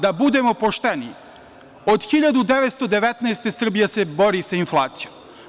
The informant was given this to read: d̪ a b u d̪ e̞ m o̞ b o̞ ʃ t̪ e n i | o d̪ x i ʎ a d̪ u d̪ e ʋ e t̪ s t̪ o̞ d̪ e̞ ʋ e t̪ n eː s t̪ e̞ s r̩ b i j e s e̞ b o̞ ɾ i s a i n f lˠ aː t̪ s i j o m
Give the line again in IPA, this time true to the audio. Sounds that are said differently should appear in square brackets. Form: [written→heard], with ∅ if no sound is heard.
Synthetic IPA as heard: d̪ a b u d̪ e̞ m o̞ [b→p] o̞ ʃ t̪ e n i | o d̪ x i ʎ a d̪ u d̪ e ʋ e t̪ s t̪ o̞ d̪ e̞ ʋ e t̪ n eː s t̪ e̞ s r̩ b i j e s e̞ b o̞ ɾ i s a i n f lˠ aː t̪ s i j o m